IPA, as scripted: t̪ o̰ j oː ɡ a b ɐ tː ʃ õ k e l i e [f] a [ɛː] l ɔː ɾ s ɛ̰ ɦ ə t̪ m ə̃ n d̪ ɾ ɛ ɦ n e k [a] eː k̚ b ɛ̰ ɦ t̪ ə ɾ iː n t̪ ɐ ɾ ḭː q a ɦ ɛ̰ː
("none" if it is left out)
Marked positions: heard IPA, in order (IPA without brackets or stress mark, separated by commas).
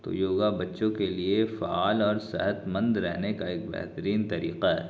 f, aː, a